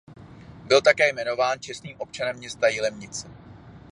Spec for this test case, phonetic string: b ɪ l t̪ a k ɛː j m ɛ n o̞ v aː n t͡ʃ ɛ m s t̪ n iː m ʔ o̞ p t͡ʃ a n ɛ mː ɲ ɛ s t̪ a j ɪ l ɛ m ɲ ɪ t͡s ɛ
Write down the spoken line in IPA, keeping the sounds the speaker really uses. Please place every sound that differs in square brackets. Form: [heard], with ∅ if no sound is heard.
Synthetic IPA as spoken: b ɪ l t̪ a k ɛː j m ɛ n o̞ v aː n t͡ʃ ɛ [∅] s t̪ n iː m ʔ o̞ p t͡ʃ a n ɛ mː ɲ ɛ s t̪ a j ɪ l ɛ m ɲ ɪ t͡s ɛ